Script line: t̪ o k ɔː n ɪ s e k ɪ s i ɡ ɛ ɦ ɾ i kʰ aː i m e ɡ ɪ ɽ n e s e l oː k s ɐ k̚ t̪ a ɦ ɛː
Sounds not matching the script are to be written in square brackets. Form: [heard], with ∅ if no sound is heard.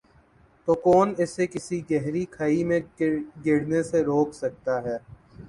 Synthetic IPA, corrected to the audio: t̪ o k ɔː n ɪ s e k ɪ s i ɡ ɛ ɦ ɾ i kʰ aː i m [ẽ] ɡ ɪ ɽ n e s e [ɾ] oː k s ɐ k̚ t̪ a ɦ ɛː